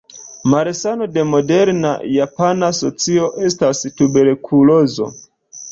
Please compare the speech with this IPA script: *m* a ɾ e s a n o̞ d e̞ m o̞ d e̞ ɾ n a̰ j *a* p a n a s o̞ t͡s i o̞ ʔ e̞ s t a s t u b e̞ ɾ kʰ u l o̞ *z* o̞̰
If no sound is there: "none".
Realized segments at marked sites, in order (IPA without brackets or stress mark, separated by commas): m, a, z